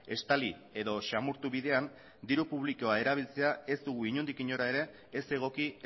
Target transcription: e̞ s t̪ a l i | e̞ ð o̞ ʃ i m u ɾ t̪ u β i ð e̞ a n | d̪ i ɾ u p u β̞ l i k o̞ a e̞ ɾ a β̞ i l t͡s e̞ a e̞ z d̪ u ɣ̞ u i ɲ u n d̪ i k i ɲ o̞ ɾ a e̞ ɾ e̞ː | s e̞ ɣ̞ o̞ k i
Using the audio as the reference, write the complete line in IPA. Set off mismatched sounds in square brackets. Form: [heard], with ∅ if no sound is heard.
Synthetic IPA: e̞ s t̪ a l i | e̞ ð o̞ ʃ [a] m u ɾ t̪ u β i ð e̞ a n | d̪ i ɾ u p u β̞ l i k o̞ a e̞ ɾ a β̞ i l t͡s e̞ a e̞ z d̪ u ɣ̞ u i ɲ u n d̪ i k i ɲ o̞ ɾ a e̞ ɾ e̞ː | s e̞ ɣ̞ o̞ k i